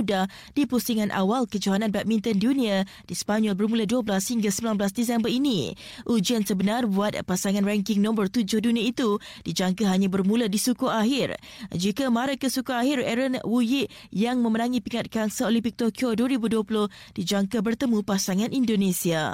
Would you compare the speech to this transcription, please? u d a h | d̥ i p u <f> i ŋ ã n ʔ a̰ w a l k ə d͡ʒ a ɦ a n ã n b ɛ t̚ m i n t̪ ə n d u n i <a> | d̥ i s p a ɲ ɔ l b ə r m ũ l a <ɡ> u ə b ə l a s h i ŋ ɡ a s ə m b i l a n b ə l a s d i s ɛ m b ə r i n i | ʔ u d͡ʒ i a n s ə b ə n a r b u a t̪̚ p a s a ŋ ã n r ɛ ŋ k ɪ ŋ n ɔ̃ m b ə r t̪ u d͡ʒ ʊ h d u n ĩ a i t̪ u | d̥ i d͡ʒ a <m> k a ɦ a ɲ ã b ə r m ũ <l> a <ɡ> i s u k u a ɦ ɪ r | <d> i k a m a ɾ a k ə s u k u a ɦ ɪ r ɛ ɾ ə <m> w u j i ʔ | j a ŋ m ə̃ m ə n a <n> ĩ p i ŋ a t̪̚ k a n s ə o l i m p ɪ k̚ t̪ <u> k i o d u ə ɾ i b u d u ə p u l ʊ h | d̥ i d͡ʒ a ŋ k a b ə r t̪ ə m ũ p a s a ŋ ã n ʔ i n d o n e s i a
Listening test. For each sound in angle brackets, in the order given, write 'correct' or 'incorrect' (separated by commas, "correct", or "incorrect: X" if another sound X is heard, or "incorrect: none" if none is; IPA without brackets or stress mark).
incorrect: s, correct, incorrect: d, incorrect: ŋ, correct, incorrect: d, incorrect: d͡ʒ, incorrect: n, incorrect: ŋ, incorrect: o